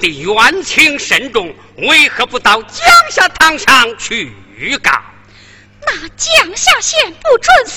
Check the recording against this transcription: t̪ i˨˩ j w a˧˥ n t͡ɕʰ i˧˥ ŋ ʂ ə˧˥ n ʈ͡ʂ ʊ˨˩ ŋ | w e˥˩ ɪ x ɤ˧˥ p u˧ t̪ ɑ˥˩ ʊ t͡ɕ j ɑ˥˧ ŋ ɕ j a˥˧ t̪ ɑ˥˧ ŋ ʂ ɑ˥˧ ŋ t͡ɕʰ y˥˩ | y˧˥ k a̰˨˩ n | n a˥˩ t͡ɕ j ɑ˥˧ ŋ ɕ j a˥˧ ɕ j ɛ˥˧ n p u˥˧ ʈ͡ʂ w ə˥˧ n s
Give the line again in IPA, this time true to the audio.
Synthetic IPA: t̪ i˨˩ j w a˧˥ n t͡ɕʰ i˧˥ ŋ ʂ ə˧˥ n ʈ͡ʂ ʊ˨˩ ŋ | w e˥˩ ɪ x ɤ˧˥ p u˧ t̪ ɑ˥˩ ʊ t͡ɕ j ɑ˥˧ ŋ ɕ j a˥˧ t̪ʰ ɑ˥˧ ŋ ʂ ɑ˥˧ ŋ t͡ɕʰ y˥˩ | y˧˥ k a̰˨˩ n | n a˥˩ t͡ɕ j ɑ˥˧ ŋ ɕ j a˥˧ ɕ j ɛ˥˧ n p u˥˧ ʈ͡ʂ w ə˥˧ n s